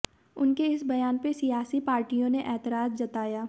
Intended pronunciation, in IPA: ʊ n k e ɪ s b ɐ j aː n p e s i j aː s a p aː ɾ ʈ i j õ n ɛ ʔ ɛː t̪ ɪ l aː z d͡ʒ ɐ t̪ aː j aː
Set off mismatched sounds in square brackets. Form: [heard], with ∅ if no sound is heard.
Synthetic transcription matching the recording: ʊ n k e ɪ s b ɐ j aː n p e s i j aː s [i] p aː ɾ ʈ i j õ n [e] ʔ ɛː t̪ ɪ [ɾ] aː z d͡ʒ ɐ t̪ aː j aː